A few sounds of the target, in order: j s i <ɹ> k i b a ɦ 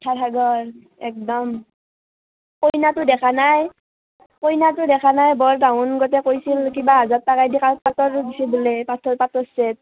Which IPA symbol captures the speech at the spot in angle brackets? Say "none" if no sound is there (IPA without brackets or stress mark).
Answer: l